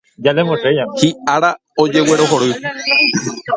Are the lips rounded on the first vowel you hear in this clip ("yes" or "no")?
no